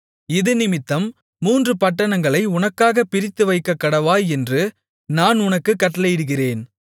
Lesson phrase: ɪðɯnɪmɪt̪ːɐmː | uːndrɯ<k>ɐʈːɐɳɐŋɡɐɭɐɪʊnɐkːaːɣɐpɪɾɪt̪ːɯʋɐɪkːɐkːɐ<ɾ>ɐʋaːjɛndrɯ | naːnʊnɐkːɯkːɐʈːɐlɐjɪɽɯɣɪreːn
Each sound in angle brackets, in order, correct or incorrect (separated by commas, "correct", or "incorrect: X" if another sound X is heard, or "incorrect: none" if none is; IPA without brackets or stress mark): incorrect: p, incorrect: ɽ